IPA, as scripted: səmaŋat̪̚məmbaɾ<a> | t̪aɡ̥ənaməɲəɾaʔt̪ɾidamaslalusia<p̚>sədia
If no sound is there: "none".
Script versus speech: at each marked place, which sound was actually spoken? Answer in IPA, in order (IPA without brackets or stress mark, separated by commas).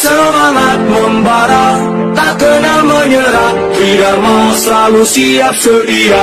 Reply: a, p̚